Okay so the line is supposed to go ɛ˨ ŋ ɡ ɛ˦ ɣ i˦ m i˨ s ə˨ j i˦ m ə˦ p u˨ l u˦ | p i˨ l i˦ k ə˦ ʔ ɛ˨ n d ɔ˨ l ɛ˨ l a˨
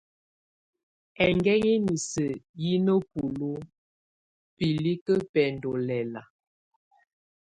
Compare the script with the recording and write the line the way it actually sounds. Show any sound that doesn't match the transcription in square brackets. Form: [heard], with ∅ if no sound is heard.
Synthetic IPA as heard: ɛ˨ ŋ ɡ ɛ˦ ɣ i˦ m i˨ s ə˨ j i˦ [n] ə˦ p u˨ l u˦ | p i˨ l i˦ k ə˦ [p] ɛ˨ n d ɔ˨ l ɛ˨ l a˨